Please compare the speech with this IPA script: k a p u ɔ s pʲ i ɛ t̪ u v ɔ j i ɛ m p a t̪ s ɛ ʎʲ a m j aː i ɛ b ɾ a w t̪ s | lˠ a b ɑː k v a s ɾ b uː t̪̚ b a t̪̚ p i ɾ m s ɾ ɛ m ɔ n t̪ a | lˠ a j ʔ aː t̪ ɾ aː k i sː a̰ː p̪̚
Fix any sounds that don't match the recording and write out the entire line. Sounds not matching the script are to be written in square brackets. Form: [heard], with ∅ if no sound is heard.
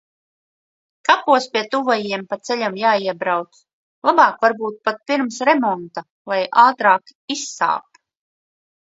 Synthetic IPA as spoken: k a p u ɔ s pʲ i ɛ t̪ u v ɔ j i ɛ m p a t̪ s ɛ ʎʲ a m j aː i ɛ b ɾ a w t̪ s | lˠ a b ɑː k v a [∅] ɾ b uː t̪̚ [p] a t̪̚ p i ɾ m s ɾ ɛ m ɔ n t̪ a | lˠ a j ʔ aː t̪ ɾ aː k i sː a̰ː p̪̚